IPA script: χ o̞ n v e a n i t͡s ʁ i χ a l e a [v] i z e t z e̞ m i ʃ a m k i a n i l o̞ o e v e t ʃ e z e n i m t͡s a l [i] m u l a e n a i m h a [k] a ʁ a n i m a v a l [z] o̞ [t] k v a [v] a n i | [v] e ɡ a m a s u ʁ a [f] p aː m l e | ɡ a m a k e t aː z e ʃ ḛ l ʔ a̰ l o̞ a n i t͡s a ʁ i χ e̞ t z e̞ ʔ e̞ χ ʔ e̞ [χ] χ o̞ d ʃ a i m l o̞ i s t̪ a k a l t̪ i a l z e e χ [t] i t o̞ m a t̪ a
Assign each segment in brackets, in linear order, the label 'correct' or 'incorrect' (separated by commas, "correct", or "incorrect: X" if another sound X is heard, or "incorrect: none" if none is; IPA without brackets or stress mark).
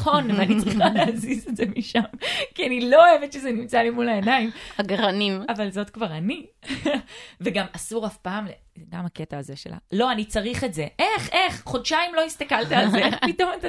incorrect: z, correct, incorrect: ɡ, correct, correct, incorrect: ʁ, correct, correct, correct, incorrect: p